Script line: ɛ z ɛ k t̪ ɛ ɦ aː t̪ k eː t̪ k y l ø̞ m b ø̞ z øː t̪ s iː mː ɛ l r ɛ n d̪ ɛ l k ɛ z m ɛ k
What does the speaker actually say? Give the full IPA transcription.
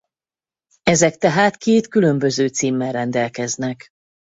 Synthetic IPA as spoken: ɛ z ɛ k t̪ ɛ ɦ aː t̪ k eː t̪ k y l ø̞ m b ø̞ z øː t̪ s iː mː ɛ l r ɛ n d̪ ɛ l k ɛ z n ɛ k